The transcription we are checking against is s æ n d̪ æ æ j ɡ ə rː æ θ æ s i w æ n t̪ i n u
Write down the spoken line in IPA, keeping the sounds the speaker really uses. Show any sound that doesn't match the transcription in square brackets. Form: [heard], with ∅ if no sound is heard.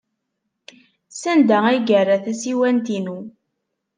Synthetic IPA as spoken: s æ n d̪ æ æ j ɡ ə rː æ θ æ s i w æ n t̪ i n u